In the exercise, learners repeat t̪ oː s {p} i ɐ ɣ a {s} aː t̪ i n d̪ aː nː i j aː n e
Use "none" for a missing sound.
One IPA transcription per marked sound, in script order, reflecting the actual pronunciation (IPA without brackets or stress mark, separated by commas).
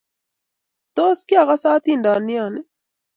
k, s